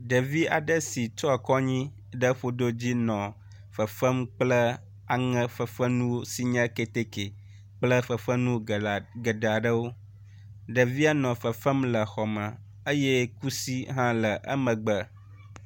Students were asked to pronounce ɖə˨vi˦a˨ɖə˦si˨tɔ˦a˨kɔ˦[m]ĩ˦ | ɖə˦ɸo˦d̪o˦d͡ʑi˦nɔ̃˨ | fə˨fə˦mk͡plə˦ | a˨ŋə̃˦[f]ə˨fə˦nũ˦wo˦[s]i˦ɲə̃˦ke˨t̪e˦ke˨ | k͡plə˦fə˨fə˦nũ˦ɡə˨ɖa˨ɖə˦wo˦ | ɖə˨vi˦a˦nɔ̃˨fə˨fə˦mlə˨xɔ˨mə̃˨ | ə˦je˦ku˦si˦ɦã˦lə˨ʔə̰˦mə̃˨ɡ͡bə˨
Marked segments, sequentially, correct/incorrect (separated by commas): incorrect, correct, correct